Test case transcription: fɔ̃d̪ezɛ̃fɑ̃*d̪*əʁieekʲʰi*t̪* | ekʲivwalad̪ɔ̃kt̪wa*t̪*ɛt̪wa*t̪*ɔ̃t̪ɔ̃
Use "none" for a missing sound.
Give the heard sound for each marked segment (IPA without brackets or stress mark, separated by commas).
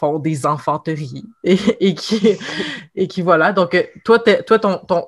t̪, none, t̪, t̪